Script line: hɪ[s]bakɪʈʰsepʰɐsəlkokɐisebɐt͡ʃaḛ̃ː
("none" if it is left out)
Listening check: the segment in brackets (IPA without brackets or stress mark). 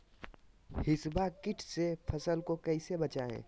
s